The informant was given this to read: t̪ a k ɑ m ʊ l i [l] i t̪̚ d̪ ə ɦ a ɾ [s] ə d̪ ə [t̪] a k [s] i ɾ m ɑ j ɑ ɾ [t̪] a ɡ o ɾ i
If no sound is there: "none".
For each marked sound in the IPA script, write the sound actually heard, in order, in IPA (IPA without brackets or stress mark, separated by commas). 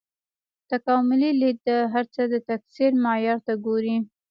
l, t͡s, t̪, s, t̪